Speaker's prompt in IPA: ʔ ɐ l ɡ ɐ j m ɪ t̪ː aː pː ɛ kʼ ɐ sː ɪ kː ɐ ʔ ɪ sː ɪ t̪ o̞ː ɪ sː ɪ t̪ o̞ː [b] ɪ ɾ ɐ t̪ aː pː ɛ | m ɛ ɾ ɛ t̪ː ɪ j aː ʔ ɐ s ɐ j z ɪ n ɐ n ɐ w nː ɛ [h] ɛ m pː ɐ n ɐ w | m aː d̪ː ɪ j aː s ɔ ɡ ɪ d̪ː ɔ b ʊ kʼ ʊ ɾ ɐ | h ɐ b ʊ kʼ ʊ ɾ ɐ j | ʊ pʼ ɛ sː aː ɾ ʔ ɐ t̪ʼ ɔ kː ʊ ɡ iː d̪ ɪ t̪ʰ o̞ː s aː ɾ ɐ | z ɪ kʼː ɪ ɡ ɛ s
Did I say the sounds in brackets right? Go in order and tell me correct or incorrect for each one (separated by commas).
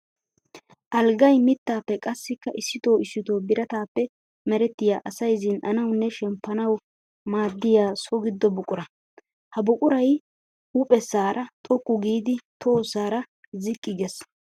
correct, incorrect